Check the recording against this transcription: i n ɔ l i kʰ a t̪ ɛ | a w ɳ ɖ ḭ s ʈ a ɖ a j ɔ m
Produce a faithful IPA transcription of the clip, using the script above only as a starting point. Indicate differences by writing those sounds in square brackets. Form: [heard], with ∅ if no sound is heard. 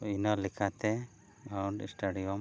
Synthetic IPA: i n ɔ l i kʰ a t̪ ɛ | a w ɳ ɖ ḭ s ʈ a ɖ [i] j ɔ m